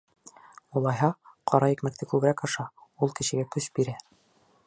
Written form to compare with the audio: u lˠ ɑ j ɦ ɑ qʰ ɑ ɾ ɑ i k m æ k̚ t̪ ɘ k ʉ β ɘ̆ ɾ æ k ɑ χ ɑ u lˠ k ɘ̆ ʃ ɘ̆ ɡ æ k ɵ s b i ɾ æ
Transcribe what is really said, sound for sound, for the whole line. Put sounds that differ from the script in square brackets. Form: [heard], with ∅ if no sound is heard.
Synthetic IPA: u lˠ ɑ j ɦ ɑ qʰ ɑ ɾ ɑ i k m æ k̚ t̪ ɘ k ʉ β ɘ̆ ɾ æ k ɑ [ʃ] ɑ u lˠ k ɘ̆ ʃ ɘ̆ ɡ æ k ɵ s b i ɾ æ